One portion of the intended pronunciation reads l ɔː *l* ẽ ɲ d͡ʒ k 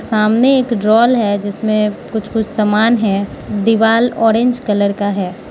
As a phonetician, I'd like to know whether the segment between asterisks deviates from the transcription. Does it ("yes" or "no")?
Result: yes